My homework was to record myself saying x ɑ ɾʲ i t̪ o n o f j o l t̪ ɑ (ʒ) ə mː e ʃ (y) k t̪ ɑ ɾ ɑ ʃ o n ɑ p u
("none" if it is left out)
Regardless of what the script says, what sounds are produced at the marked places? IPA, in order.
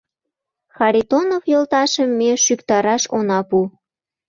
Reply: ʃ, y

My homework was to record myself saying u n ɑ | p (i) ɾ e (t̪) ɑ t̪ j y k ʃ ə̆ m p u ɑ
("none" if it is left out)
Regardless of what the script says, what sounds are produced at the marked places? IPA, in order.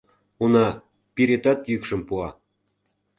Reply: i, t̪

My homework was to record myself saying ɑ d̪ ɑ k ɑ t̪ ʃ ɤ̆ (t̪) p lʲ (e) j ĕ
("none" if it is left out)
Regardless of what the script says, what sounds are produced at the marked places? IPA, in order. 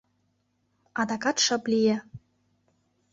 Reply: none, i

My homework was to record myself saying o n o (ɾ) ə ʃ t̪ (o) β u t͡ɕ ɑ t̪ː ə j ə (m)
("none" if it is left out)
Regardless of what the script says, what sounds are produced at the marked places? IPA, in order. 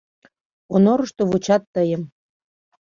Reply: ɾ, o, m

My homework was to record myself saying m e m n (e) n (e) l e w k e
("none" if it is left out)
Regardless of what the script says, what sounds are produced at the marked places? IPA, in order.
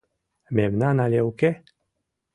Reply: a, a

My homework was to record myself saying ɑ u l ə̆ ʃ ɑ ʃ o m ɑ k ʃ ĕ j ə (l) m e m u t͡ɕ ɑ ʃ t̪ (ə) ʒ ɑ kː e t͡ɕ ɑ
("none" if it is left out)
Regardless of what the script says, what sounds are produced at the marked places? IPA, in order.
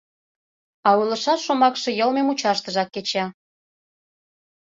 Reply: l, ə

